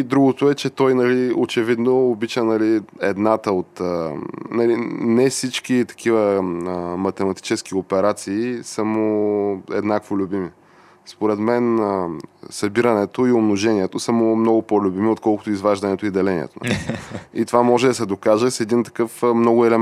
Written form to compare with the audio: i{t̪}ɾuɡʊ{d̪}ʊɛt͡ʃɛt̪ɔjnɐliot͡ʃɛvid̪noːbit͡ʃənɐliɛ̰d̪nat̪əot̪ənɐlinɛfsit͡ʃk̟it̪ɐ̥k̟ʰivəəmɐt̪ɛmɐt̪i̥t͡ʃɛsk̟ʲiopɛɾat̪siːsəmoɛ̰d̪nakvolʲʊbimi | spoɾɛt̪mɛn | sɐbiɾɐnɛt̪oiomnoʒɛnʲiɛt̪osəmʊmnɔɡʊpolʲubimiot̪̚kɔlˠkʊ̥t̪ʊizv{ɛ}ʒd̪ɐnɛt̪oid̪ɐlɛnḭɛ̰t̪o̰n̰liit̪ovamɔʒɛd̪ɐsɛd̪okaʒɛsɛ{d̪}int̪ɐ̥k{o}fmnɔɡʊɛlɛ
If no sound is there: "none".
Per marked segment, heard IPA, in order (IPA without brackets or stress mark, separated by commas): d̪, t̪, a, d̪, ɤ